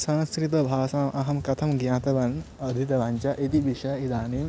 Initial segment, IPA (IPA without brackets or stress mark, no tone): s